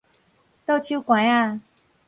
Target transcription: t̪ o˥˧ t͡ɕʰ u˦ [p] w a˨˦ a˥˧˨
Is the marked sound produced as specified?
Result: no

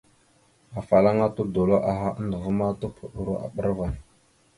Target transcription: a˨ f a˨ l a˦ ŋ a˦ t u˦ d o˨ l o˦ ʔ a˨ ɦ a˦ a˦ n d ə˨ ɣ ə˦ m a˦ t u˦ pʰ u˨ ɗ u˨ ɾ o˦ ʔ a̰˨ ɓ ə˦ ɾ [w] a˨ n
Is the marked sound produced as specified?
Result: no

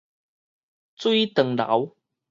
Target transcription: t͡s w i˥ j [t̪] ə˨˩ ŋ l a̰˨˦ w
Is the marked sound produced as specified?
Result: yes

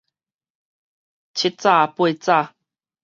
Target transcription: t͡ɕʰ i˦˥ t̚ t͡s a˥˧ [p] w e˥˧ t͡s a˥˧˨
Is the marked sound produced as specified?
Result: yes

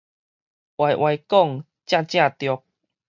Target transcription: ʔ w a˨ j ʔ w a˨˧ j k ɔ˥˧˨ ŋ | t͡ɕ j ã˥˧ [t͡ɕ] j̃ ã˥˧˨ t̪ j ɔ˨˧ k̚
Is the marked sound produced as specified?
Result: yes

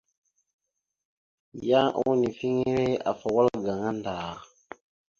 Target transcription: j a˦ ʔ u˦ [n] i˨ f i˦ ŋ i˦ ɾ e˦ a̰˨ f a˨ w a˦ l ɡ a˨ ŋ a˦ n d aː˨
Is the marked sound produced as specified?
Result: yes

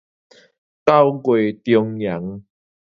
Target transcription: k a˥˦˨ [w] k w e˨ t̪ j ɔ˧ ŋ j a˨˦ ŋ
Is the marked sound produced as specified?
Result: yes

